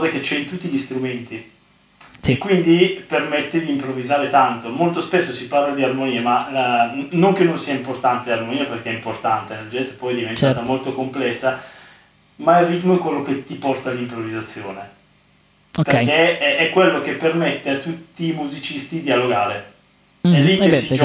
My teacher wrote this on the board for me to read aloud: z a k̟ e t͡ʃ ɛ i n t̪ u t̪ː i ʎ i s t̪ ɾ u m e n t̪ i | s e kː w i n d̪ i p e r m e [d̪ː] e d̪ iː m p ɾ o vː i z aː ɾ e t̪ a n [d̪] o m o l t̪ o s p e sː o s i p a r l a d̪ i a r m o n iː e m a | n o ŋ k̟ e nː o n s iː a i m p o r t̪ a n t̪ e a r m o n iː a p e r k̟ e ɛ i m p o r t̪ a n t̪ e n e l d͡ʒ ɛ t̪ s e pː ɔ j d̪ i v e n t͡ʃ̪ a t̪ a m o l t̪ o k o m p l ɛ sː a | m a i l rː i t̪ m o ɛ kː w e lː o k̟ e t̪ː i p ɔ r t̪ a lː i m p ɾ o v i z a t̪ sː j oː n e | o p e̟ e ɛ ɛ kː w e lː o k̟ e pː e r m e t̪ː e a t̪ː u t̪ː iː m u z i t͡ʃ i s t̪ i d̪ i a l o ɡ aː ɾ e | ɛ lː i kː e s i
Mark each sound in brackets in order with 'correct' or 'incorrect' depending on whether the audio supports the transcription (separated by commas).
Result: incorrect, incorrect